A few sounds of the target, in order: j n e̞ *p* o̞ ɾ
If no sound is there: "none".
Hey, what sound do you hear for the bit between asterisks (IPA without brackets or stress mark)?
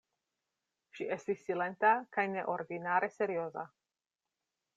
ʔ